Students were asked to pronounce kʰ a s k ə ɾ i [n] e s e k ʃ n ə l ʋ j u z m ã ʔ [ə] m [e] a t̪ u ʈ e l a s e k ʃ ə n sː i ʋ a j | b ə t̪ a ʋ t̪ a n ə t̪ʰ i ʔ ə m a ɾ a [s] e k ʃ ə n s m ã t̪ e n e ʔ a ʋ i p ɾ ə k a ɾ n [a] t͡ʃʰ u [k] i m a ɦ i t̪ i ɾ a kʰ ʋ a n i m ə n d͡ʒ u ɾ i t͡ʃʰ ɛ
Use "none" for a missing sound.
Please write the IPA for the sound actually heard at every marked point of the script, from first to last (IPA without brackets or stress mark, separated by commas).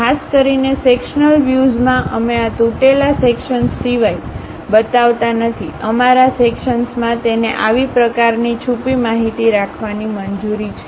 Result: n, ə, e, s, i, p